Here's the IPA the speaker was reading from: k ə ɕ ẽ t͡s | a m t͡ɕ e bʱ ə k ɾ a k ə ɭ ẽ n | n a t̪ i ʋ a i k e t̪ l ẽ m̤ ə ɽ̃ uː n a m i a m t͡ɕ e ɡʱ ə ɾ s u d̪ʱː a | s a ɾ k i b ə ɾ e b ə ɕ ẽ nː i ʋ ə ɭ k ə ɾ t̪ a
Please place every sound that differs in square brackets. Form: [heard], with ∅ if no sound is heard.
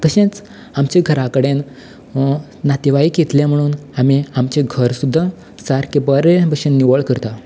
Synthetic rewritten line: k ə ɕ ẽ t͡s | a m t͡ɕ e [ɡʱ] ə [∅] ɾ a k ə [ɽ] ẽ n | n a t̪ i ʋ a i k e t̪ l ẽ m̤ ə ɽ̃ uː n a m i a m t͡ɕ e ɡʱ ə ɾ s u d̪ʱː a | s a ɾ k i b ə ɾ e b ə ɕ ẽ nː i ʋ ə ɭ k ə ɾ t̪ a